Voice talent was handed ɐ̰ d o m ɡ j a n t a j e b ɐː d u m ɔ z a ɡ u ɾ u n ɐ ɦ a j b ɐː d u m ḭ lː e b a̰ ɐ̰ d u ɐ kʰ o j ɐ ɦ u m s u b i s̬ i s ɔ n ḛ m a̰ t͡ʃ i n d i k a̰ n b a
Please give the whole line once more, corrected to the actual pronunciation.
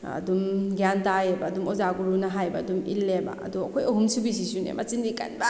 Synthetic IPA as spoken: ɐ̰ d u m ɡ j a n t a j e b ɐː d u m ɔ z a ɡ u ɾ u n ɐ ɦ a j b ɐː d u m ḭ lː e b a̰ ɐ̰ d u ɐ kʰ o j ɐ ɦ u m s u b i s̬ i s u n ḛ m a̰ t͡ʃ i n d i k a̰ n b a